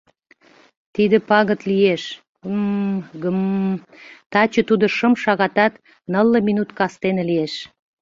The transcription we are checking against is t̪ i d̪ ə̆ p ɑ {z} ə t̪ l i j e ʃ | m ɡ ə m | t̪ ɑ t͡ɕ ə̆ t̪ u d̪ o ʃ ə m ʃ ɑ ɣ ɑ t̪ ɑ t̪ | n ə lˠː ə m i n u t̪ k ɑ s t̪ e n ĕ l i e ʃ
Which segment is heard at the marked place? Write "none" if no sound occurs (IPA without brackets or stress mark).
ɣ